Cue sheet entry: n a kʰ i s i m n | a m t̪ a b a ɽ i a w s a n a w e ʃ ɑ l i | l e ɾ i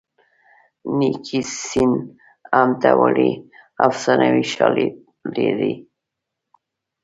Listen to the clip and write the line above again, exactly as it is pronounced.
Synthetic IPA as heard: n i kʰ i s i n | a m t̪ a w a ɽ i a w s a n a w i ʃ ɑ l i | l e ɾ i